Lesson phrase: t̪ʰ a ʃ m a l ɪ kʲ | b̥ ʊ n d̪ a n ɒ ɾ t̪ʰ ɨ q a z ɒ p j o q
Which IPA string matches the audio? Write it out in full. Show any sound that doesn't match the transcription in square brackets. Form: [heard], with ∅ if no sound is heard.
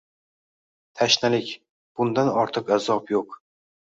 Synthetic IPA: t̪ʰ a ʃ [n] a l ɪ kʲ | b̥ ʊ n d̪ a n ɒ ɾ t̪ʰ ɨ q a z ɒ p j o q